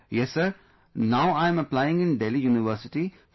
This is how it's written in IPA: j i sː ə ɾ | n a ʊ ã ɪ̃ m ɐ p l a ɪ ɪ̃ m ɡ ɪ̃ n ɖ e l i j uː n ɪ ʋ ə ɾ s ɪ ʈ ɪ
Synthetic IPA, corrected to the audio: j ɛ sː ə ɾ | n a ʊ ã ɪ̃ m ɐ p l a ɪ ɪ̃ ŋ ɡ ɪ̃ n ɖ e l i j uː n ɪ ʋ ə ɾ s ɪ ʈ i